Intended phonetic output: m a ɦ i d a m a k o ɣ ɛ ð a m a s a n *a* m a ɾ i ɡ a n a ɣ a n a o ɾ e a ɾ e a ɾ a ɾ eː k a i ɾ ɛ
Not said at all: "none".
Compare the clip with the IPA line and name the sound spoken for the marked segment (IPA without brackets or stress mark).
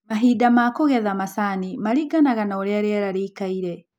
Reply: i